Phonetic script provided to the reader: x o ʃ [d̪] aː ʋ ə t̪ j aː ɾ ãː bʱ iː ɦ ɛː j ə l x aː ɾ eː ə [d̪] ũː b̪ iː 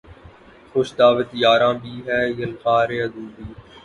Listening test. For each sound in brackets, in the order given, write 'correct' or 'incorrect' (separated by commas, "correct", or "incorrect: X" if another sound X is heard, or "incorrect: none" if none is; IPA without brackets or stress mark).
correct, correct